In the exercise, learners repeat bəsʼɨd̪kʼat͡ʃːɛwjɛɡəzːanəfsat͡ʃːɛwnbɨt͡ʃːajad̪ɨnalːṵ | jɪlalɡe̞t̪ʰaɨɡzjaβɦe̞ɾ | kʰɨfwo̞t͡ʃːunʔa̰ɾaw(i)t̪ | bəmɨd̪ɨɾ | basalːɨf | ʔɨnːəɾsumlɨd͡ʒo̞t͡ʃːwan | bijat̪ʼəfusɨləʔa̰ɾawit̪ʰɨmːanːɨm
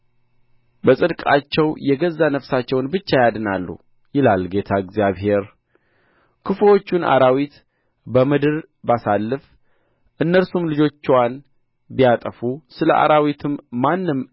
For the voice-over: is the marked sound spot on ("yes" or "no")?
yes